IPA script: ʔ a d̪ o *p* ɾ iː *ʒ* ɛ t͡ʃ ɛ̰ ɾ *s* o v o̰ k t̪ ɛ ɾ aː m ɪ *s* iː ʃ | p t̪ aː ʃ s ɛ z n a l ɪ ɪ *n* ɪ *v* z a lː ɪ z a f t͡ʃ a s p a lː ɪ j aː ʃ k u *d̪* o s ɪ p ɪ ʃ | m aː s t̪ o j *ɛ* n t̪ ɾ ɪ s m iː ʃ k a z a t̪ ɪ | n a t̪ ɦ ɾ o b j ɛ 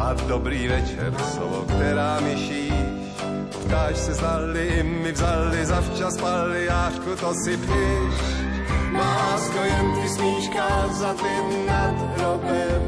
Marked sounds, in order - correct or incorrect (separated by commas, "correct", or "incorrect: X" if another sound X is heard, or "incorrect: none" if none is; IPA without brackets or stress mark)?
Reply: incorrect: b, incorrect: v, correct, incorrect: ʃ, incorrect: m, correct, incorrect: t̪, correct